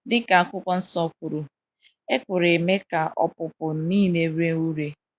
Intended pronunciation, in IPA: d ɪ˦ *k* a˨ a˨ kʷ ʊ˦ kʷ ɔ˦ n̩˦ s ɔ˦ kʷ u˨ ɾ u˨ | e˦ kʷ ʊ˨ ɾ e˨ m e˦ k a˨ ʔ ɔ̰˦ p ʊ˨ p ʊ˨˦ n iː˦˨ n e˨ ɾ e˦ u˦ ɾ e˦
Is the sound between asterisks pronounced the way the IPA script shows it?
yes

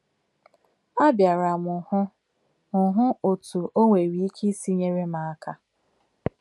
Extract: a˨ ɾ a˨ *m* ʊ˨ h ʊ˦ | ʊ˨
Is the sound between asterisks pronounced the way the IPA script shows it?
yes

